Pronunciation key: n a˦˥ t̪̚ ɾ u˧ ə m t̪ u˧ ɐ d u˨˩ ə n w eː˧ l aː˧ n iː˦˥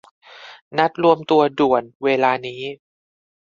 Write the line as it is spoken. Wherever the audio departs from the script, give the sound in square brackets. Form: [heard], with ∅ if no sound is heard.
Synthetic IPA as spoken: n a˦˥ t̪̚ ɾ u˧ ə m t̪ u˧ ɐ d u˨˩ ə n w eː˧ l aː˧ n iː˦˥